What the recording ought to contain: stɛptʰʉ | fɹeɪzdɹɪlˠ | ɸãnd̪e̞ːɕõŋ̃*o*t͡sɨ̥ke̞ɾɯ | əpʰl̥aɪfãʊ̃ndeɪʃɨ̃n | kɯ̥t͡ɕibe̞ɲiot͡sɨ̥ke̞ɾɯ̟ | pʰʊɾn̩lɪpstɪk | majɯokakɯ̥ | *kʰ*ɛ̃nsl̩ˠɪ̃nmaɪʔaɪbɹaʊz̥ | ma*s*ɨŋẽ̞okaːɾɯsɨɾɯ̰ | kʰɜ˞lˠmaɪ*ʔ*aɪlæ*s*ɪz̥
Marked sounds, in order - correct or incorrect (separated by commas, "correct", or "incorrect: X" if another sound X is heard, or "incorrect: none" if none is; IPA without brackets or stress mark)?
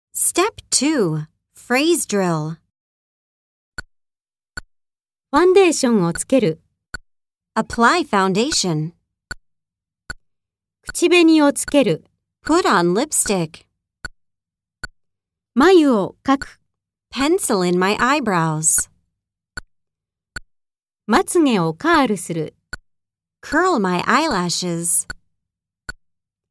correct, incorrect: pʰ, incorrect: t͡s, correct, incorrect: ʃ